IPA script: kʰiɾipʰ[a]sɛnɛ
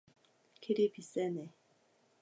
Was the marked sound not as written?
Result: yes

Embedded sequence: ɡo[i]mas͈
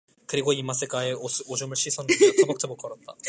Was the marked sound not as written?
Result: no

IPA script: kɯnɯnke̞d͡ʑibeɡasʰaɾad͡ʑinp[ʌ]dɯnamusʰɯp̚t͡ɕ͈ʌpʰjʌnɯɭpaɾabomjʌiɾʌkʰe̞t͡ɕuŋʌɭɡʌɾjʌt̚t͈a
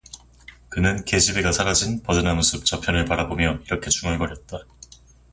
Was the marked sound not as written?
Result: no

